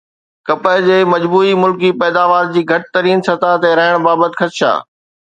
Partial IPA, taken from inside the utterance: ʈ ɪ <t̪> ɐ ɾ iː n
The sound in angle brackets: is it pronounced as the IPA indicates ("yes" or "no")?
yes